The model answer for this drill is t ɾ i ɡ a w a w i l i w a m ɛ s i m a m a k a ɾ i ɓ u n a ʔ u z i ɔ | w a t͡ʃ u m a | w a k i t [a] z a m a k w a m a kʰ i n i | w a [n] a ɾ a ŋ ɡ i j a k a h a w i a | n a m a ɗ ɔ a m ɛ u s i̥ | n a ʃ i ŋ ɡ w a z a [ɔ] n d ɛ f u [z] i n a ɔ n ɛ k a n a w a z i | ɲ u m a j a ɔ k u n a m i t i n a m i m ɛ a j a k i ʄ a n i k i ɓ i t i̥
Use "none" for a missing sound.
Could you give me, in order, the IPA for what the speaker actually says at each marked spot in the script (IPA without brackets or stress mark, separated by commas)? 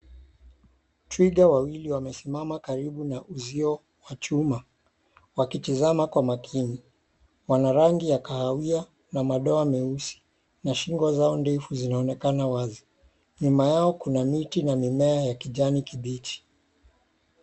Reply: i, n, ɔ, z